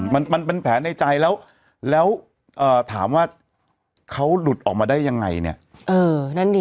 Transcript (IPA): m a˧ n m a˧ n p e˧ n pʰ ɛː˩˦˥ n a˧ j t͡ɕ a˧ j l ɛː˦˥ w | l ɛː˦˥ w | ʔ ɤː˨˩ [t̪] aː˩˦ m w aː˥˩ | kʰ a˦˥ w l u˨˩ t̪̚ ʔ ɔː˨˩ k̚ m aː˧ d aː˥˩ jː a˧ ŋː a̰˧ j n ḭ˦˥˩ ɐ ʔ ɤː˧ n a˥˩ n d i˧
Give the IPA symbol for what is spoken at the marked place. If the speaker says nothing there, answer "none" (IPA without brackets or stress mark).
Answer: t̪ʰ